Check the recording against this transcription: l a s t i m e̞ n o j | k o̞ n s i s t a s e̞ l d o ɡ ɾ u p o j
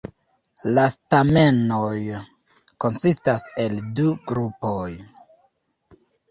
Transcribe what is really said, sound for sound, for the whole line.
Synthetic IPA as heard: l a s t a m e̞ n o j | k o̞ n s i s t a s e̞ l d u ɡ ɾ u p o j